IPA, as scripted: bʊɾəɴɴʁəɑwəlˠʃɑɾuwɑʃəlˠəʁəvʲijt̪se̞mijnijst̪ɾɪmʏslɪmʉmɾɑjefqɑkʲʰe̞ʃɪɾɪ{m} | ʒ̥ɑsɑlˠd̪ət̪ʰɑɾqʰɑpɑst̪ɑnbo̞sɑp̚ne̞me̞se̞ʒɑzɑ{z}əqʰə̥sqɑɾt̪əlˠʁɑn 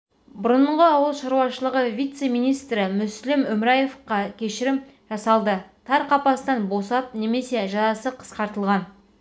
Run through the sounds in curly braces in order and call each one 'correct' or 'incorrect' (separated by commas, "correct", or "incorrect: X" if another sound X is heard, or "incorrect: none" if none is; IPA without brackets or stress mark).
correct, incorrect: s